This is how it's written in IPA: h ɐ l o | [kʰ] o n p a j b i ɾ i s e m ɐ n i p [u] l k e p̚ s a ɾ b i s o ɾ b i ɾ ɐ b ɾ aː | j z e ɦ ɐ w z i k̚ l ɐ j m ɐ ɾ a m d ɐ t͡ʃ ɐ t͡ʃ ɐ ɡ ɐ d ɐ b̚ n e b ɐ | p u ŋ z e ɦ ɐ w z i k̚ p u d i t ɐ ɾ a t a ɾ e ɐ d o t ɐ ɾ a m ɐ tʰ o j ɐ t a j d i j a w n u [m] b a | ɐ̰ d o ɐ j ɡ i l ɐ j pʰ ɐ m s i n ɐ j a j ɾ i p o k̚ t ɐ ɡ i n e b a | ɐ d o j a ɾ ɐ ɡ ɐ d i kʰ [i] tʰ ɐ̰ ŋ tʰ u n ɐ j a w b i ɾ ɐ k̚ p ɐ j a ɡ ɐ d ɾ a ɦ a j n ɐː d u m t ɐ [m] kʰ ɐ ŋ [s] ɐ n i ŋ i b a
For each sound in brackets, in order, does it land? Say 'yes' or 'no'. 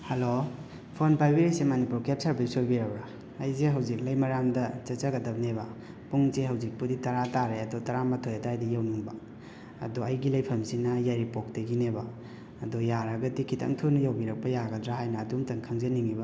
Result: no, yes, no, yes, no, no

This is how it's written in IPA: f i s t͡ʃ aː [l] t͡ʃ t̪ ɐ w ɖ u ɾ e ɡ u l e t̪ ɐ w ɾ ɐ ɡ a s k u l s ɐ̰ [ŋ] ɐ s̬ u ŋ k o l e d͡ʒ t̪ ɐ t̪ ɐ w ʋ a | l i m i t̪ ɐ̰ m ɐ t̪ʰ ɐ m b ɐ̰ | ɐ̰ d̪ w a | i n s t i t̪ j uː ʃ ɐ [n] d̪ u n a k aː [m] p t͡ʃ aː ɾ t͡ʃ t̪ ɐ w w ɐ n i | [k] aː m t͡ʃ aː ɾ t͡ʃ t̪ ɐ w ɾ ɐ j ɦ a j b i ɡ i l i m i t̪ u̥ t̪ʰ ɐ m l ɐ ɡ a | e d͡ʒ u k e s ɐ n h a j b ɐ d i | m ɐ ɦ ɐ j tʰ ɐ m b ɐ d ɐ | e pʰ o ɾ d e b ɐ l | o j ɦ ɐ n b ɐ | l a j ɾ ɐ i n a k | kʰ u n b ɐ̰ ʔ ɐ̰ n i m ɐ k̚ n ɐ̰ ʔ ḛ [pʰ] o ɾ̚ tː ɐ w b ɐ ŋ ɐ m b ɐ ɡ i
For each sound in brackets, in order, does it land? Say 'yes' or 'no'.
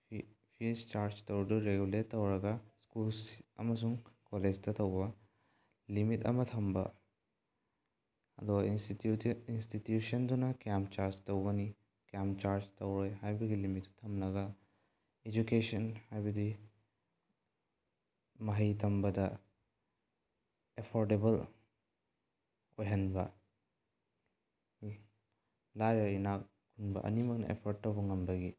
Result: no, no, yes, yes, yes, yes

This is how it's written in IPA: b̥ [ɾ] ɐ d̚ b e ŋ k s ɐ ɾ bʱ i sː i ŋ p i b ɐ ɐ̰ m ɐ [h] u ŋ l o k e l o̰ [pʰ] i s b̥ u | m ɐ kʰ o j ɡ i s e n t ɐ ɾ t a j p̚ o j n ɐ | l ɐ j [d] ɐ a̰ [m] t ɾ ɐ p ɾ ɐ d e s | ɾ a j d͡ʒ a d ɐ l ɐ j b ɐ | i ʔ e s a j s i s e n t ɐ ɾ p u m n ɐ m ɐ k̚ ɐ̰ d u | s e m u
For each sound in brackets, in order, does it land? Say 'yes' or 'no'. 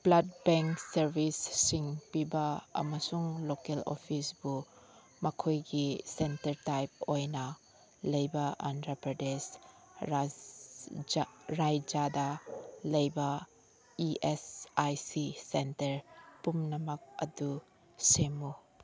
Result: no, no, yes, no, no

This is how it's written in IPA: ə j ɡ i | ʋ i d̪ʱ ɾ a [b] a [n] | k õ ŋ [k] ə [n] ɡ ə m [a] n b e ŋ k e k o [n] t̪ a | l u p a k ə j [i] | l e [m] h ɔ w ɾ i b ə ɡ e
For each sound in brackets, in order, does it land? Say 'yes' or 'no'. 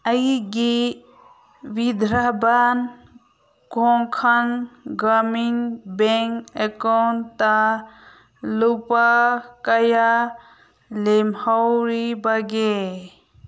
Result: yes, yes, no, yes, no, yes, no, yes

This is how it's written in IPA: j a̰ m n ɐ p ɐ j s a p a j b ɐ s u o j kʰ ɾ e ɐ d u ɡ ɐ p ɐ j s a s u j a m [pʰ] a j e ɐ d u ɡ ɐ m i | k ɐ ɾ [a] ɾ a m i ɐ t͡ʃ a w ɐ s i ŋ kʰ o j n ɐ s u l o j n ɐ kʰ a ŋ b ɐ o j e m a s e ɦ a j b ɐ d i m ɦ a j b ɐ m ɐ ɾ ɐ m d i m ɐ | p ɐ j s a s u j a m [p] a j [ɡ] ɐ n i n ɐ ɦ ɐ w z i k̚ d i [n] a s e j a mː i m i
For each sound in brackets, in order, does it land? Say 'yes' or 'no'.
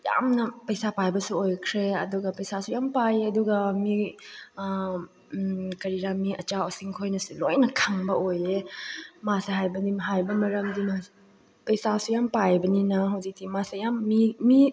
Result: no, no, yes, no, no

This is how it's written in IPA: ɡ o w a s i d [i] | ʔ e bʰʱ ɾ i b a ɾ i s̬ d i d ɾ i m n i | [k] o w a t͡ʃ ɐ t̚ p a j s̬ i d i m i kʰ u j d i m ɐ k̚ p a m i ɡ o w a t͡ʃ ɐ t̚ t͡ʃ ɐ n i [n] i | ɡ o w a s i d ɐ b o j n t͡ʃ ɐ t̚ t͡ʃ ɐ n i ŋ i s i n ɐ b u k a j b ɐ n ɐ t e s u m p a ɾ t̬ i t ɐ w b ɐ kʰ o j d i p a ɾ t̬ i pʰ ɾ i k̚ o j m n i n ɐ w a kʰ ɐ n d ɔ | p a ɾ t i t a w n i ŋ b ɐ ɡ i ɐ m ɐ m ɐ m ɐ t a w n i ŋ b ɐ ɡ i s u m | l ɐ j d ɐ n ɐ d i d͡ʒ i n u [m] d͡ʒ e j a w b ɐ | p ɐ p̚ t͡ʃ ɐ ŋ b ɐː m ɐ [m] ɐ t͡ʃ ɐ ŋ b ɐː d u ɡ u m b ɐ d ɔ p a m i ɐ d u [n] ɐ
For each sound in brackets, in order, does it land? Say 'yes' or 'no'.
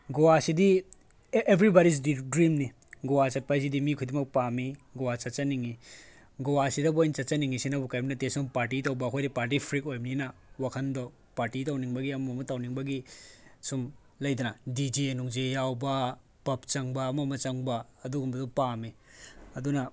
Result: yes, no, no, no, yes, yes

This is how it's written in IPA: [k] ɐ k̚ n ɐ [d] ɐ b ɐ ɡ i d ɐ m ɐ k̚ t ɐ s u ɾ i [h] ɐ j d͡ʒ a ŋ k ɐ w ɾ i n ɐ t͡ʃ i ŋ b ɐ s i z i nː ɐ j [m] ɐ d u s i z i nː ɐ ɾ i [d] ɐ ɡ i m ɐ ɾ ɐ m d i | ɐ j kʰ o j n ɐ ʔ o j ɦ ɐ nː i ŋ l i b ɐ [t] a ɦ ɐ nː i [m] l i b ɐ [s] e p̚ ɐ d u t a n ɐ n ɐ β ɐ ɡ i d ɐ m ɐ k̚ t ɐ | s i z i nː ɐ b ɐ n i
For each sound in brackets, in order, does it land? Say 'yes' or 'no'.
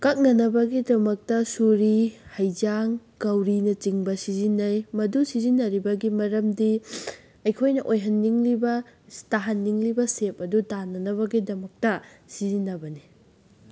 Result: yes, no, yes, yes, no, yes, no, yes

